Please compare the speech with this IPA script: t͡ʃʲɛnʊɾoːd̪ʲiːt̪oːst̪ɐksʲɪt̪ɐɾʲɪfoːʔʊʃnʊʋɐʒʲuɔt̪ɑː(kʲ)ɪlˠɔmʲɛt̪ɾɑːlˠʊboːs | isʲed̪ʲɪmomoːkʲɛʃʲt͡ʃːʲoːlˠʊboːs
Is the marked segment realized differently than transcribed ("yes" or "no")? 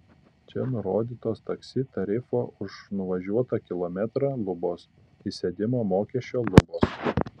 no